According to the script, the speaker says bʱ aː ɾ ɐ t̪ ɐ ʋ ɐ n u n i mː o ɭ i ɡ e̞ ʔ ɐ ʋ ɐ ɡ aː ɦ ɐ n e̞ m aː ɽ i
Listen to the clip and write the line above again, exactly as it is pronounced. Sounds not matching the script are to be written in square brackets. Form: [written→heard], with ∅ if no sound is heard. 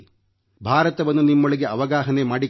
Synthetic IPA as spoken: bʱ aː ɾ ɐ t̪ ɐ ʋ ɐ [n→nː] u n i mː o ɭ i ɡ e̞ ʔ ɐ ʋ ɐ ɡ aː ɦ ɐ n e̞ m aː ɽ i

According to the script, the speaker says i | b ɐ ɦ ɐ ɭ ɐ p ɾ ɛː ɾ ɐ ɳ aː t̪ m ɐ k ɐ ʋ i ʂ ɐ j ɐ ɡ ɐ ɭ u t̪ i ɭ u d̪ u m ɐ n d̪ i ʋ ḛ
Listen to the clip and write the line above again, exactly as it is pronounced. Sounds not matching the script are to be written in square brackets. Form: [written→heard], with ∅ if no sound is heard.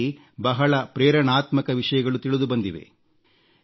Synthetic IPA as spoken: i | b ɐ ɦ ɐ ɭ ɐ p ɾ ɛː ɾ ɐ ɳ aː t̪ m ɐ k ɐ ʋ i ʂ ɐ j ɐ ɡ ɐ ɭ u t̪ i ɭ u d̪ u [m→b] ɐ n d̪ i ʋ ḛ

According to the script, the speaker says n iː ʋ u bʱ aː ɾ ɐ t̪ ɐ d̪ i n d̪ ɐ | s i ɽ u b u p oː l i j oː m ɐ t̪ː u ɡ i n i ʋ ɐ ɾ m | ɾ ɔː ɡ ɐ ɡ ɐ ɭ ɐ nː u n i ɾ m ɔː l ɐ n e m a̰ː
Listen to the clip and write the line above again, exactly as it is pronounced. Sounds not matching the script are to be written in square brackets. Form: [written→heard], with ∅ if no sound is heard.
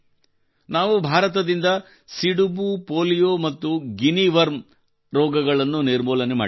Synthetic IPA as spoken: n [iː→aː] ʋ u bʱ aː ɾ ɐ t̪ ɐ d̪ i n d̪ ɐ | s i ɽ u b u p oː l i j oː m ɐ t̪ː u ɡ i n i ʋ ɐ ɾ m | ɾ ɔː ɡ ɐ ɡ ɐ ɭ ɐ nː u n i ɾ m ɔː l ɐ n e m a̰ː

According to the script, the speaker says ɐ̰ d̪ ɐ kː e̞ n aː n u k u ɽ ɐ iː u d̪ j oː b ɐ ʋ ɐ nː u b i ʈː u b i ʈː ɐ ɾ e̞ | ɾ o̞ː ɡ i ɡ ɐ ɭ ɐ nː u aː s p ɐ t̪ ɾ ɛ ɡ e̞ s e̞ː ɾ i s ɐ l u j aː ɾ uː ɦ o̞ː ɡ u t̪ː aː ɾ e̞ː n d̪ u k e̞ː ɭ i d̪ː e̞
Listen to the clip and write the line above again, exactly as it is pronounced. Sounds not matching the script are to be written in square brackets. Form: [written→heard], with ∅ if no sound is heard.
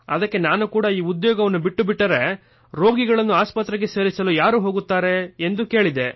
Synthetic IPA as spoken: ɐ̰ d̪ ɐ kː e̞ n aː n u k [u→uː] ɽ ɐ iː u d̪ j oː [b→ɡ] ɐ ʋ ɐ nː u b i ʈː u b i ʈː ɐ ɾ e̞ | ɾ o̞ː ɡ i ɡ ɐ ɭ ɐ nː u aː s p ɐ t̪ ɾ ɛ ɡ e̞ s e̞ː ɾ i s ɐ l u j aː ɾ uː ɦ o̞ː ɡ u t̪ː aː ɾ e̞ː n d̪ u k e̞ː ɭ i [d̪ː→d̪] e̞

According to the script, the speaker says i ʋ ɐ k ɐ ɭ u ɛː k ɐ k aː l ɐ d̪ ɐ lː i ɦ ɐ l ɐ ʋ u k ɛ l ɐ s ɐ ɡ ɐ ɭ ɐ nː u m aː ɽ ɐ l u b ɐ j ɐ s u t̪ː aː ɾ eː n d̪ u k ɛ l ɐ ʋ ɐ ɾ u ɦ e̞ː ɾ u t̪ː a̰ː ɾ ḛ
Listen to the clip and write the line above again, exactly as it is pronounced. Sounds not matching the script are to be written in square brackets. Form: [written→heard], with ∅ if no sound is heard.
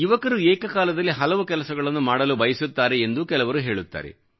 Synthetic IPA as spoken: i ʋ ɐ k ɐ [ɭ→ɾ] u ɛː k ɐ k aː l ɐ d̪ ɐ lː i ɦ ɐ l ɐ ʋ u k ɛ l ɐ s ɐ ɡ ɐ ɭ ɐ nː u m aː ɽ ɐ l u b ɐ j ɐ s u t̪ː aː ɾ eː n d̪ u k ɛ l ɐ ʋ ɐ ɾ u ɦ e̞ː [ɾ→ɭ] u t̪ː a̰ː ɾ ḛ

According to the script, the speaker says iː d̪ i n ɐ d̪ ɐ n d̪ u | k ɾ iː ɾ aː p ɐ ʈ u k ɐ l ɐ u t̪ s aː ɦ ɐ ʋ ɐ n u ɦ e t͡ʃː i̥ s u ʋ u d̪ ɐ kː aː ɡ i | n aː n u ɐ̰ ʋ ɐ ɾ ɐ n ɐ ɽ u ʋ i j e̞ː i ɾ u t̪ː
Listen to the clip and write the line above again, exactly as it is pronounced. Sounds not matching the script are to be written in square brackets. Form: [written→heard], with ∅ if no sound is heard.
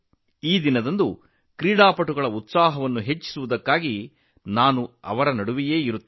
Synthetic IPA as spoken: iː d̪ i n ɐ d̪ ɐ n d̪ u | k ɾ iː [ɾ→ɽ] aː p ɐ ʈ u [k→ɡ] ɐ [l→ɭ] ɐ u t̪ s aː ɦ ɐ ʋ ɐ [n→nː] u ɦ e t͡ʃː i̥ s u ʋ u d̪ ɐ kː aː ɡ i | n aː n u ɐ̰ ʋ ɐ ɾ ɐ n ɐ ɽ u ʋ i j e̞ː i ɾ u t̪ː

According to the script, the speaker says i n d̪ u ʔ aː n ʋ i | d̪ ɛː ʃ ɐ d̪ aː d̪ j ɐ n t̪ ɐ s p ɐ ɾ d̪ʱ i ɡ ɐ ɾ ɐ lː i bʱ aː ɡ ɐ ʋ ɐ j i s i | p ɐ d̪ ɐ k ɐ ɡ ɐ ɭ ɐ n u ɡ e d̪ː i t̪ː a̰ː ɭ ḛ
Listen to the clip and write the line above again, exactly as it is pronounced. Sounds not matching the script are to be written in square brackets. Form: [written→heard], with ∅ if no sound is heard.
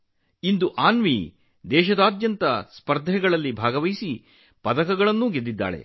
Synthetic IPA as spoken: i n d̪ u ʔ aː n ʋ i | d̪ ɛː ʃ ɐ d̪ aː d̪ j ɐ n t̪ ɐ s p ɐ ɾ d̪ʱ [i→ɛ] ɡ ɐ [ɾ→ɭ] ɐ lː i bʱ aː ɡ ɐ ʋ ɐ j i s i | p ɐ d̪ ɐ k ɐ ɡ ɐ ɭ ɐ [n→nː] u ɡ e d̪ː i [t̪ː→d̪ː] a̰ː ɭ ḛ

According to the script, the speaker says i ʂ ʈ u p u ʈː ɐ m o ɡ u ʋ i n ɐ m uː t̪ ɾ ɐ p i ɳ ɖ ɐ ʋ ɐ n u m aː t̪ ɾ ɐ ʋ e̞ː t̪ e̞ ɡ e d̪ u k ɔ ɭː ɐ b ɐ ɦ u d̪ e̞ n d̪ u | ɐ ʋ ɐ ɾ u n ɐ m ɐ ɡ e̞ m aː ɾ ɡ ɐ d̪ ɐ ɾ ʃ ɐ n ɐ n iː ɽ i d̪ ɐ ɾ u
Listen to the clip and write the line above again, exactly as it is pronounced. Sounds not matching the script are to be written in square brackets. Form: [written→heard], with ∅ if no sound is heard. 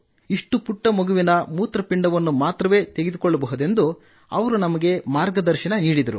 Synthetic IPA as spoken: i ʂ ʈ u p u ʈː ɐ m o ɡ u ʋ i n ɐ m uː t̪ ɾ ɐ p i ɳ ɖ ɐ ʋ ɐ [n→nː] u m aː t̪ ɾ ɐ ʋ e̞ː t̪ e̞ ɡ e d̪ u k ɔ ɭː ɐ b ɐ ɦ u d̪ e̞ n d̪ u | ɐ ʋ ɐ ɾ u n ɐ m ɐ ɡ e̞ m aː ɾ ɡ ɐ d̪ ɐ ɾ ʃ ɐ n ɐ n iː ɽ i d̪ ɐ ɾ u

